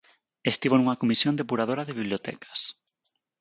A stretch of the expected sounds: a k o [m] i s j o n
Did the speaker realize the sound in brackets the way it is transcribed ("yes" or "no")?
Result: yes